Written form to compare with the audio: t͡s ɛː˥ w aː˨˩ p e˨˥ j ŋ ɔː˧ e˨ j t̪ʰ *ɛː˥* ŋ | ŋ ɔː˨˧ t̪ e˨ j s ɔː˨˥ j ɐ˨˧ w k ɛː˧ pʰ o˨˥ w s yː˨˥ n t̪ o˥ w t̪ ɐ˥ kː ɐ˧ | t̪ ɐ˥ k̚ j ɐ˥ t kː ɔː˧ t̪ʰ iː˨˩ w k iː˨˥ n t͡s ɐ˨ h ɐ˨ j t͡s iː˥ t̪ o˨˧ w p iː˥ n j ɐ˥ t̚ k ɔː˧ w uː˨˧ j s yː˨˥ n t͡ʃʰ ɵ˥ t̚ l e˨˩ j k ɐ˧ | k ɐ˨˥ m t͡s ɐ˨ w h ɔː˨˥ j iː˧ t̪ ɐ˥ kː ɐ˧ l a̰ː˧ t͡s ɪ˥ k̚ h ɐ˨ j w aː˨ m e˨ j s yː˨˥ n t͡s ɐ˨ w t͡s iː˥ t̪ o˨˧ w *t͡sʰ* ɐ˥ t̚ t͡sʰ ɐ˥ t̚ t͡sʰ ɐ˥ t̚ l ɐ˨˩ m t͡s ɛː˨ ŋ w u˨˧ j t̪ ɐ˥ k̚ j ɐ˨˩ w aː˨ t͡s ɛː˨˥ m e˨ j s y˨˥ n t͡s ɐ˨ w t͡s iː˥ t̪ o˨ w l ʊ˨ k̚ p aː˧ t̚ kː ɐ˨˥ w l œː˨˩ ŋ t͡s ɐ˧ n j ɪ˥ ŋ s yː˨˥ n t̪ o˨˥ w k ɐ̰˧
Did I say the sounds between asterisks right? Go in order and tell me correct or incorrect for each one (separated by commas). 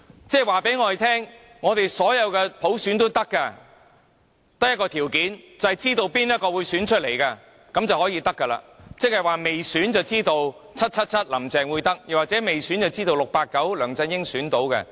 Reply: correct, correct